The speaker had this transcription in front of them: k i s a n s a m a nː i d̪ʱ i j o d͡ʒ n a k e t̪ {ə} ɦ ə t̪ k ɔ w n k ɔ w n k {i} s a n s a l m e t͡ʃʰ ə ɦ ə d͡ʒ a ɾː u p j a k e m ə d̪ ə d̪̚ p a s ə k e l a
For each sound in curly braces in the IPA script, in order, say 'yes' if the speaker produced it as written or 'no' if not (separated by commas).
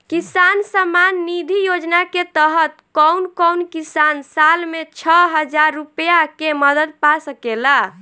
yes, yes